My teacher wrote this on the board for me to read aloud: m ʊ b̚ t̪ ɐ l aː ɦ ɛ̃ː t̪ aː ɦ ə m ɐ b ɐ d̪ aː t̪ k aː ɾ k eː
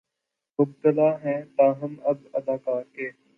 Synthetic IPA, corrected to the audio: m ʊ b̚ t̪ ə l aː ɦ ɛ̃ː t̪ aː ɦ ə m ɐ b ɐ d̪ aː k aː ɾ k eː